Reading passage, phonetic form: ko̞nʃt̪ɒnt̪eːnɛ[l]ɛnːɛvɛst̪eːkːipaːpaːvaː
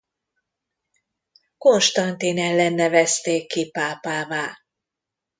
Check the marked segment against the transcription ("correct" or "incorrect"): incorrect